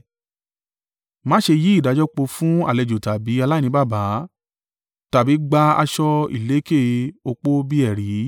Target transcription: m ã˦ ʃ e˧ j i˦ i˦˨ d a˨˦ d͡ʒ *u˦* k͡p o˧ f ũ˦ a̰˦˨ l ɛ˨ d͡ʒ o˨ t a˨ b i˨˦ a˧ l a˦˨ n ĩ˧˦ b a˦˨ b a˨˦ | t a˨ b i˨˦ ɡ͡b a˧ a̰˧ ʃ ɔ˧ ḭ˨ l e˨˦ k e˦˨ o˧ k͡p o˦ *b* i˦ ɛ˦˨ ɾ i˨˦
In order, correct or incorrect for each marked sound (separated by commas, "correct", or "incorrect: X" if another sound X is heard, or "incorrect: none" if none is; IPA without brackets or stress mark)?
incorrect: ɔ˦, correct